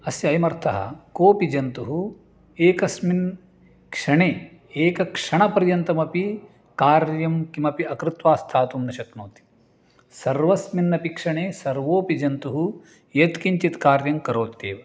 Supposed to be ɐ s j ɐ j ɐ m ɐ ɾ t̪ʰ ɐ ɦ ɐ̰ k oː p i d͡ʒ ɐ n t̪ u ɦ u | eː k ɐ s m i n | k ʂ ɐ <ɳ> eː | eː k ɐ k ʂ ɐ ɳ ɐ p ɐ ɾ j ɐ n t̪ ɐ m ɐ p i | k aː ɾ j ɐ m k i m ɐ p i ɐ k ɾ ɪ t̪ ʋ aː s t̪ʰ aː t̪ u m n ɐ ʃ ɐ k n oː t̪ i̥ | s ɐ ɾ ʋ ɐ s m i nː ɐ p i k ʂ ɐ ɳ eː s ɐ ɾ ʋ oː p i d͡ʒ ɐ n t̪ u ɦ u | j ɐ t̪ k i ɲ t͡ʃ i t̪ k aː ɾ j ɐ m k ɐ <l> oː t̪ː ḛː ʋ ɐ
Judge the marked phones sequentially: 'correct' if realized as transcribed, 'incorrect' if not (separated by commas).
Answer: correct, incorrect